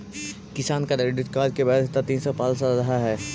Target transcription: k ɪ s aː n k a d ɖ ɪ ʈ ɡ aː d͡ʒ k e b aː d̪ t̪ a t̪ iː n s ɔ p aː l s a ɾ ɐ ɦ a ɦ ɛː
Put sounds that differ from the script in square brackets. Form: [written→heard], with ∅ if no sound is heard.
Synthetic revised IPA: k ɪ s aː n k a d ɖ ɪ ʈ [ɡ→k] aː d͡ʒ k e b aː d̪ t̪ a t̪ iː n s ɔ p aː l s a ɾ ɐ ɦ a ɦ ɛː

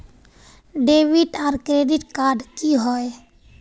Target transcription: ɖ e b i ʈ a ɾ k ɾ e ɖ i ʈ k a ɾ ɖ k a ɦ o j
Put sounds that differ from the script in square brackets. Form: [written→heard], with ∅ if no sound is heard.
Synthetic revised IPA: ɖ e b i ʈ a ɾ k ɾ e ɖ i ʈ k a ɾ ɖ k [a→i] ɦ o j

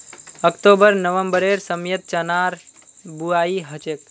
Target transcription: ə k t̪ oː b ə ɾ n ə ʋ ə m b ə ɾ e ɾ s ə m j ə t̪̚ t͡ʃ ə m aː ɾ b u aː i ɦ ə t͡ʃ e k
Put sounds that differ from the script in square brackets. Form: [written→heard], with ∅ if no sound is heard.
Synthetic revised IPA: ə k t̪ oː b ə ɾ n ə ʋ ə m b ə ɾ e ɾ s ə m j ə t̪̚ t͡ʃ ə [m→n] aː ɾ b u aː i ɦ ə t͡ʃ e k

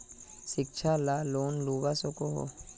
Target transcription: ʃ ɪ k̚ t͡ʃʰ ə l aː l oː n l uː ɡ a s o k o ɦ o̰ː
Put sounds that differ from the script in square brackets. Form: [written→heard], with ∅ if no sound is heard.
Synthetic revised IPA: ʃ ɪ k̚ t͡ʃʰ [ə→a] l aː l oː n l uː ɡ a s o k o ɦ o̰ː

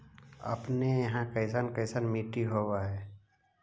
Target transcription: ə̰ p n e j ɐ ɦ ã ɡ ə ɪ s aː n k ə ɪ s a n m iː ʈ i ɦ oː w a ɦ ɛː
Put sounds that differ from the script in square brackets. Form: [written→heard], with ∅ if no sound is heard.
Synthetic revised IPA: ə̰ p n e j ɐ ɦ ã [ɡ→k] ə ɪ s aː n k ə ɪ s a n m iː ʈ i ɦ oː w a ɦ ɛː

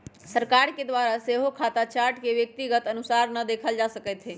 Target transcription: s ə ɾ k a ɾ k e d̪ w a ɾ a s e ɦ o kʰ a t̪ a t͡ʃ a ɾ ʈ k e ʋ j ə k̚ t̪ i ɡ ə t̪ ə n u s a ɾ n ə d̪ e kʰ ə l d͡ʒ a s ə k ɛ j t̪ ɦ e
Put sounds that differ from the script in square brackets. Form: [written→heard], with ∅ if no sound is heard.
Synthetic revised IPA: s ə ɾ k a ɾ k e d̪ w a ɾ a s e ɦ o kʰ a t̪ a t͡ʃ a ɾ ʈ k e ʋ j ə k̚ t̪ i ɡ ə t̪ ə n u s a ɾ n ə d̪ e kʰ ə l d͡ʒ a s ə k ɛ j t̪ ɦ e

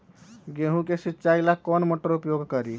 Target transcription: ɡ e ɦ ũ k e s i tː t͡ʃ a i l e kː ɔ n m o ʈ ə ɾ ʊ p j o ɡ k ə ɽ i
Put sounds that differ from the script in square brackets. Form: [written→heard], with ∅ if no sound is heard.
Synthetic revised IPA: ɡ e ɦ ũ k e s i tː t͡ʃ a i l [e→a] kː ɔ n m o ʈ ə ɾ [ʊ→u] p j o ɡ k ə [ɽ→ɾ] i

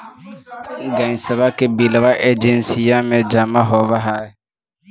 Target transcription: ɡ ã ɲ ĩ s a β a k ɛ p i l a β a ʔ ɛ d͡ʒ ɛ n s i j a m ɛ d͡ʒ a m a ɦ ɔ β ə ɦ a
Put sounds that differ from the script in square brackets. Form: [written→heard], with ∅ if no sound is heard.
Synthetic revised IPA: ɡ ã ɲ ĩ s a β a k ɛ [p→b] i l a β a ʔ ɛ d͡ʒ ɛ n s i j a m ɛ d͡ʒ a m a ɦ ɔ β [ə→a] ɦ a

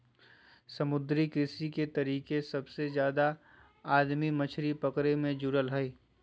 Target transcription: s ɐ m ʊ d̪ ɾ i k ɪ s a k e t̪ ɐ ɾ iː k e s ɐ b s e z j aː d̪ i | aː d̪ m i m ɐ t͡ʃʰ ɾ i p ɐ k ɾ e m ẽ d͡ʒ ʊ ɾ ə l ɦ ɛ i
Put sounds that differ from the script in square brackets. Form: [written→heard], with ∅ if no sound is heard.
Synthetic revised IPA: s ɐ m ʊ d̪ ɾ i k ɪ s [a→i] k e t̪ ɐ ɾ iː k e s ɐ b s e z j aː d̪ [i→a] | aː d̪ m i m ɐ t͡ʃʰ ɾ i p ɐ k ɾ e m ẽ d͡ʒ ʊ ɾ ə l ɦ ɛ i

